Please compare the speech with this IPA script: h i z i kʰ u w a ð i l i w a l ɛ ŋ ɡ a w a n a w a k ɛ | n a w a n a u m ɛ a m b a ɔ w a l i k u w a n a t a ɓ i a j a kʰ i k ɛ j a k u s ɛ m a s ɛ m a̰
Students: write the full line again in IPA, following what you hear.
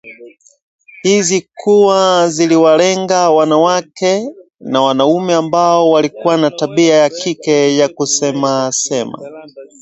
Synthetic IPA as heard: h i z i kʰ u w a z i l i w a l ɛ ŋ ɡ a w a n a w a k ɛ | n a w a n a u m ɛ a m b a ɔ w a l i k u w a n a t a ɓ i a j a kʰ i k ɛ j a k u s ɛ m a s ɛ m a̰